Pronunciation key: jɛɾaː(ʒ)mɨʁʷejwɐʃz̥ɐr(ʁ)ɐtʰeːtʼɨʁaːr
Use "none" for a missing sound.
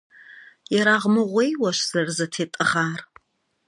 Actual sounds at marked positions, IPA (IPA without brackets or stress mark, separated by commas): ʁ, z